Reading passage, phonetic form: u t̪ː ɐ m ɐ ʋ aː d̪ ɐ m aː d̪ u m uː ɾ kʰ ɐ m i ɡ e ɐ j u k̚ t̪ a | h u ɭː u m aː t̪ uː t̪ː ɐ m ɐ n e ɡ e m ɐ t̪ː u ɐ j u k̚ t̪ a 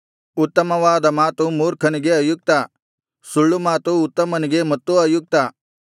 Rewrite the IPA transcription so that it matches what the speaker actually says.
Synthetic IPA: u t̪ː ɐ m ɐ ʋ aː d̪ ɐ m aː t̪ u m uː ɾ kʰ ɐ n i ɡ e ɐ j u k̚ t̪ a | s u ɭː u m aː t̪ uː t̪ː ɐ m ɐ n i ɡ e m ɐ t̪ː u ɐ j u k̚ t̪ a